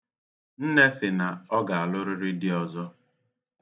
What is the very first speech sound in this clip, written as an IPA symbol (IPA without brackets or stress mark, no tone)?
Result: n̩